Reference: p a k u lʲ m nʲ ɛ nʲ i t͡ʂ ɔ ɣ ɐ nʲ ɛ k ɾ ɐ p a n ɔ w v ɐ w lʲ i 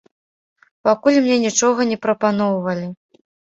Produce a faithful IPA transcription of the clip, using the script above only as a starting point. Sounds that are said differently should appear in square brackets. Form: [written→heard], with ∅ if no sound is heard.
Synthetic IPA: p a k u lʲ m nʲ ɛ nʲ i t͡ʂ ɔ ɣ ɐ nʲ ɛ [k→p] ɾ ɐ p a n ɔ w v ɐ [w→∅] lʲ i

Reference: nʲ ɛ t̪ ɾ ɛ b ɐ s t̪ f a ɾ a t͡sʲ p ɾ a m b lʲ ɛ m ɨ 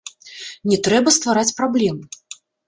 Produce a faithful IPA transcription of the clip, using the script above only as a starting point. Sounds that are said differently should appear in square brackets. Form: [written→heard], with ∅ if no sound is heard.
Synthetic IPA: nʲ ɛ t̪ ɾ ɛ b ɐ s t̪ [f→v] a ɾ a t͡sʲ p ɾ a [m→∅] b lʲ ɛ m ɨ

